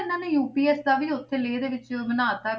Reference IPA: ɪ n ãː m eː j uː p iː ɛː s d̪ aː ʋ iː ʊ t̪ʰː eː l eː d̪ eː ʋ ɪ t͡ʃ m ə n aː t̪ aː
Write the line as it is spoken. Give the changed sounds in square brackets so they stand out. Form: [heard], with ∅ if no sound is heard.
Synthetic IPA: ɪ n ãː [n] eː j uː p iː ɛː s d̪ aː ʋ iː ʊ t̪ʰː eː l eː d̪ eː ʋ ɪ t͡ʃ m ə n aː t̪ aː